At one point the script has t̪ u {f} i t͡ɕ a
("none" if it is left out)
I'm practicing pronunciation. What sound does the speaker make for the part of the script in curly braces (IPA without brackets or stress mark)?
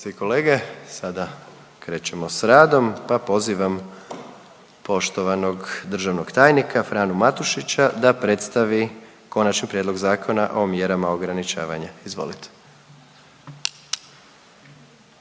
ʃ